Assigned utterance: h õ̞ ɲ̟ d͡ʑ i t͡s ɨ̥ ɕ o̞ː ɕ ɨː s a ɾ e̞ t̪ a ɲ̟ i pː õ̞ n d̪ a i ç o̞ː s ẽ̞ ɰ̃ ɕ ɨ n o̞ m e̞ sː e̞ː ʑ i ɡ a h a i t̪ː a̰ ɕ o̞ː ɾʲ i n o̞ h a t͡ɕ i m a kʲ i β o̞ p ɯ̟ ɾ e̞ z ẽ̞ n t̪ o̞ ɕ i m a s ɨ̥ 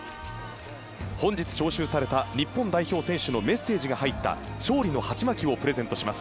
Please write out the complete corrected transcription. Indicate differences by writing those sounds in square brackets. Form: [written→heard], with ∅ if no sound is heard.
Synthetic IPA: h õ̞ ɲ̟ d͡ʑ i t͡s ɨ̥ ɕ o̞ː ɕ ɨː s a ɾ e̞ t̪ a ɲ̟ i pː õ̞ n d̪ a i ç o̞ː s ẽ̞ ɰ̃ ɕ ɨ n o̞ m e̞ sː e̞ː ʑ i ɡ a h a i t̪ː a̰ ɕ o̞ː ɾʲ i n o̞ h a t͡ɕ i m a kʲ i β o̞ p ɯ̟ ɾ e̞ z ẽ̞ n t̪ o̞ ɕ i m a s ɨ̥